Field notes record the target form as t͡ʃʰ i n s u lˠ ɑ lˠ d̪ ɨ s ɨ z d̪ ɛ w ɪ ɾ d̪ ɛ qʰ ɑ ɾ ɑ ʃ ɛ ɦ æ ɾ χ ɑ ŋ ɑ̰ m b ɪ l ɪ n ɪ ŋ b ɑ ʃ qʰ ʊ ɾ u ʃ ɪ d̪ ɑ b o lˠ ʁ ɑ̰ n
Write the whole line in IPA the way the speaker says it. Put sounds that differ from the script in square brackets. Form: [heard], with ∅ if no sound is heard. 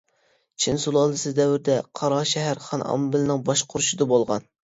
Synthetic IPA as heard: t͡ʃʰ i n s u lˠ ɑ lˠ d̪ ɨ s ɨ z d̪ ɛ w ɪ ɾ d̪ ɛ qʰ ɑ ɾ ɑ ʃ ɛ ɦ æ ɾ χ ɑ [n] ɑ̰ m b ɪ l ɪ n ɪ ŋ b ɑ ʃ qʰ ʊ ɾ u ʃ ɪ d̪ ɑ b o lˠ ʁ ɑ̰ n